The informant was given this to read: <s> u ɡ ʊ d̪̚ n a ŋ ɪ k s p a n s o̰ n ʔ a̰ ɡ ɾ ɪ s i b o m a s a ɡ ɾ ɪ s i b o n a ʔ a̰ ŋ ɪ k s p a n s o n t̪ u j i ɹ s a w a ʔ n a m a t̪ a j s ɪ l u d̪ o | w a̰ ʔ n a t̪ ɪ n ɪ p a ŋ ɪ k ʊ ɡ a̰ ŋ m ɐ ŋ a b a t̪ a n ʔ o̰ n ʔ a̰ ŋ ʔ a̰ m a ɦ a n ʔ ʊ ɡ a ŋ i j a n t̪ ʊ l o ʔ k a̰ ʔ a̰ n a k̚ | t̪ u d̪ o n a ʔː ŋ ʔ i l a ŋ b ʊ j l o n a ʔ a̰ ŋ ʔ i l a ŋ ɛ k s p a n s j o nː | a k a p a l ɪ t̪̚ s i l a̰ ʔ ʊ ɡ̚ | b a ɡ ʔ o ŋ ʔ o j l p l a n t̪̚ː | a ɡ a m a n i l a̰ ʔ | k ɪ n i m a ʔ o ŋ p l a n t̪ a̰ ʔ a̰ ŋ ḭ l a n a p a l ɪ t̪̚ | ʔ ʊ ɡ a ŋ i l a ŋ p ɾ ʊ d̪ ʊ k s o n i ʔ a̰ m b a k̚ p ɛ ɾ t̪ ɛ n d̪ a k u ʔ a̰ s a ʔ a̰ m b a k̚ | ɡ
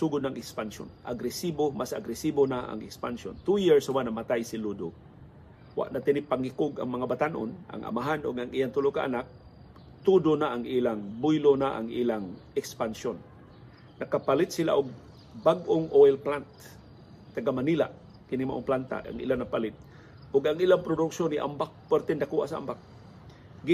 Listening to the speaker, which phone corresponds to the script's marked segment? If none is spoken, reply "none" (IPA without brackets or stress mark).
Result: s